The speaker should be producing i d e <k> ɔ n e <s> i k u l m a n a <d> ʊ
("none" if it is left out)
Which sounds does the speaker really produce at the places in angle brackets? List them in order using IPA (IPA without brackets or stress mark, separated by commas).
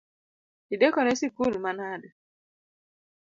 k, s, d